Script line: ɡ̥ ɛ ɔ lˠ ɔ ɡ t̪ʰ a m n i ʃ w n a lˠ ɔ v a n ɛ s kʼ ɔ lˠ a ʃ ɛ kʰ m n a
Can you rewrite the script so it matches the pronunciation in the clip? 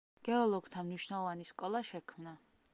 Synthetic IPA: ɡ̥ ɛ ɔ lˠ ɔ ɡ t̪ʰ a m n i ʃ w n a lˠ ɔ v a n i s kʼ ɔ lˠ a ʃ ɛ kʰ m n a

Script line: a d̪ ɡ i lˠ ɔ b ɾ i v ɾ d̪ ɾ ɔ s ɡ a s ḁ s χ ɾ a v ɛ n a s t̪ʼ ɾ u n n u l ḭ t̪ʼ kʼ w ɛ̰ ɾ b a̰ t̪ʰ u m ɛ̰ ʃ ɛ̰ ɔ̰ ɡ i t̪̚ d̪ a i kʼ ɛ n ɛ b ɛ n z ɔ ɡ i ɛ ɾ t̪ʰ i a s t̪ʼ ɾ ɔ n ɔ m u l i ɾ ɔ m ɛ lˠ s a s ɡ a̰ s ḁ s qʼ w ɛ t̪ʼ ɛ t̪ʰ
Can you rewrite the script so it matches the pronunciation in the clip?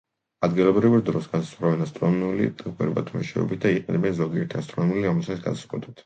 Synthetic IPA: a d̪ ɡ i lˠ ɔ b ɾ i v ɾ d̪ ɾ ɔ s ɡ a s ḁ s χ ɾ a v ɛ n a s t̪ʼ ɾ ɔ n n u l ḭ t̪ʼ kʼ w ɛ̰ ɾ b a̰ t̪ʰ u m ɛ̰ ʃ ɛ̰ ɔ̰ b i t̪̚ d̪ a i qʼ ɛ n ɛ b ɛ n z ɔ ɡ i ɛ ɾ t̪ʰ i a s t̪ʼ ɾ ɔ n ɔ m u l i ɾ ɔ m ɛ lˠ s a s ɡ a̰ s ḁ s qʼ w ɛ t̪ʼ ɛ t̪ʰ

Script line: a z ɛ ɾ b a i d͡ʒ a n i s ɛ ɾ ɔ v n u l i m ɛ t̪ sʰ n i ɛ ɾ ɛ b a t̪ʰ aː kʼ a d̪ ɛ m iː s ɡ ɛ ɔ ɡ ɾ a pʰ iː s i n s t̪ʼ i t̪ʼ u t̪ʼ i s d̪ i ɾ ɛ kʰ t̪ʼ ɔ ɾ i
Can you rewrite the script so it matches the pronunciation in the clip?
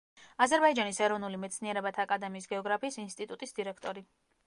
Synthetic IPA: a z ɛ ɾ b a i d͡ʒ a n i s ɛ ɾ ɔ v n u l i m ɛ t̪ sʰ n i ɛ ɾ ɛ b a t̪ʰ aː kʼ a d̪ ɛ m iː s ɡ ɛ ɔ ɡ ɾ a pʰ iː s i n s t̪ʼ i t̪ʼ u t̪ʼ i s d̪ i ɾ ɛ kʰ t̪ʼ ɔ ɾ i

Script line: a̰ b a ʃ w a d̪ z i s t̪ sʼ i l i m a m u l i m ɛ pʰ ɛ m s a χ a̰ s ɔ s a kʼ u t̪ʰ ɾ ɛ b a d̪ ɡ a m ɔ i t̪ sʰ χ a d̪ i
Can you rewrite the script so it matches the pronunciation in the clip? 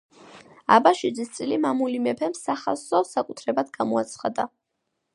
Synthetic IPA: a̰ b a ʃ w i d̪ z i s t̪ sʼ i l i m a m u l i m ɛ pʰ ɛ m s a χ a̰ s ɔ s a kʼ u t̪ʰ ɾ ɛ b a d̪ ɡ a m ɔ a t̪ sʰ χ a d̪ a

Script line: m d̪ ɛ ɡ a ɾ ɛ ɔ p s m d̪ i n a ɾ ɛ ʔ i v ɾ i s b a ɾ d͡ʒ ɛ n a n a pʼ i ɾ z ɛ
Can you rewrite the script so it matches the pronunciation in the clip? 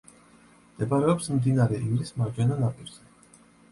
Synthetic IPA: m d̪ ɛ b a ɾ ɛ ɔ p s m d̪ i n a ɾ ɛ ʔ i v ɾ i s m a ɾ d͡ʒ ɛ n a n a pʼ i ɾ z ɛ

